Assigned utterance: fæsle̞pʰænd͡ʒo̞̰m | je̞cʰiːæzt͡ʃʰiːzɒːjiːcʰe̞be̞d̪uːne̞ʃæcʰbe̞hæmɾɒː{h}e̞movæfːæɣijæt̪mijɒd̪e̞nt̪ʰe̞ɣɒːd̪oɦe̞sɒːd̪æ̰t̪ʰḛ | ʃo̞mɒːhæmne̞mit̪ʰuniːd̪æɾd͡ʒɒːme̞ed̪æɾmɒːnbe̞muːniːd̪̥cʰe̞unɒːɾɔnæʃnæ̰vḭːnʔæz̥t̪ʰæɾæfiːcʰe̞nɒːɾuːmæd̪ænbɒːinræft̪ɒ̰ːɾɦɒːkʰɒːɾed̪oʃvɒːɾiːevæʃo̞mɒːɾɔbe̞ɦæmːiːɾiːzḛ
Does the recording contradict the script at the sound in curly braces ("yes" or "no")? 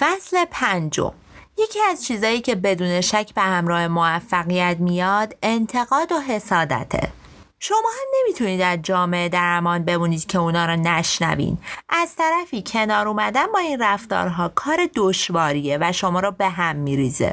no